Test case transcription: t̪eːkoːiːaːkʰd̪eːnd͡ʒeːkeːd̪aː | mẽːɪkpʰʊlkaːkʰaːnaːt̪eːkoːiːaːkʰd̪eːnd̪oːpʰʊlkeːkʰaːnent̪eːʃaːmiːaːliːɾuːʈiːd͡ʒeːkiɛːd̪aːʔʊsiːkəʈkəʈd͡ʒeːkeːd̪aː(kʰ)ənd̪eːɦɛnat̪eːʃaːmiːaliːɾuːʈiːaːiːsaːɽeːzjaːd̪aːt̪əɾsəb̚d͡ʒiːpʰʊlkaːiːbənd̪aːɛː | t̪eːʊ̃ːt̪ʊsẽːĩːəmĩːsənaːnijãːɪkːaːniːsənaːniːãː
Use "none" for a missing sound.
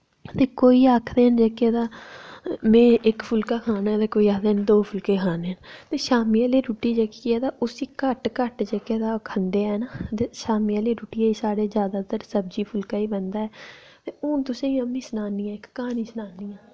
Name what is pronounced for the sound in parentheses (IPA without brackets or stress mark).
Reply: kʰ